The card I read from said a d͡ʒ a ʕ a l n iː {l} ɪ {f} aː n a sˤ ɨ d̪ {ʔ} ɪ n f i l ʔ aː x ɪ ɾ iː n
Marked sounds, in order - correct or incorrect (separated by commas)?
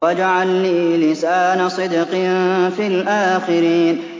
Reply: correct, incorrect, incorrect